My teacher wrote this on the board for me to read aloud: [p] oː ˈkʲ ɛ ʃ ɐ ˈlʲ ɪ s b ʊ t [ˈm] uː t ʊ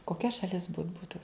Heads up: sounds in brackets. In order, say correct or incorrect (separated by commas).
incorrect, incorrect